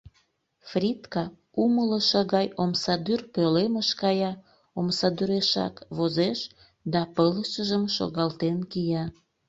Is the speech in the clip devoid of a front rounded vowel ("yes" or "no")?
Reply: no